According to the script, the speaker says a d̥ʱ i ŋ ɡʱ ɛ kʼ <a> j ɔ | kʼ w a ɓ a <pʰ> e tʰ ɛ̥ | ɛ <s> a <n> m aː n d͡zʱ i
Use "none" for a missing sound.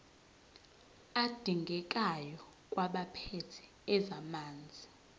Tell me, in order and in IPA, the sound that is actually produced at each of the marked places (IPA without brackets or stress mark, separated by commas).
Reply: a, pʰ, z, none